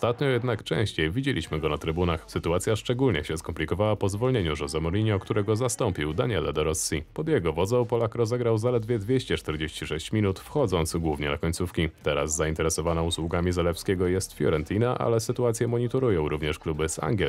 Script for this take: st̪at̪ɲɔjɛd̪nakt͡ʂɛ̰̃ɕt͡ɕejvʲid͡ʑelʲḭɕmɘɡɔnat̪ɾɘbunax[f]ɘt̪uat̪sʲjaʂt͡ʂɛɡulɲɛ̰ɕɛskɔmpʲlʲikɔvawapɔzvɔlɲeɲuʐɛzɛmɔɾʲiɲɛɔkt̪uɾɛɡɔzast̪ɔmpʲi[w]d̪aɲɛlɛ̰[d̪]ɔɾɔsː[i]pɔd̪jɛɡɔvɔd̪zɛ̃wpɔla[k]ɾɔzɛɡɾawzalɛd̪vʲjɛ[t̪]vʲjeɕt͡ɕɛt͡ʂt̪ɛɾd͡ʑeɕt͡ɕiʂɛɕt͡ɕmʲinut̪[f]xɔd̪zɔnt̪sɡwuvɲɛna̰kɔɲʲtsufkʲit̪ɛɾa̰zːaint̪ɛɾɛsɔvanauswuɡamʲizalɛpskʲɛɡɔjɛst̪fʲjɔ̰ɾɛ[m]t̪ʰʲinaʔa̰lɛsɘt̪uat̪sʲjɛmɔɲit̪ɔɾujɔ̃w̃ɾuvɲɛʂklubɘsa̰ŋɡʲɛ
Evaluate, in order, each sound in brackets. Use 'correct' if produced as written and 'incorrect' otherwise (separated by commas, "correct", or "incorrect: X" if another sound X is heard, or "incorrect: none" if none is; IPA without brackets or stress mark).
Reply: incorrect: s, correct, correct, correct, correct, incorrect: d̪, correct, incorrect: n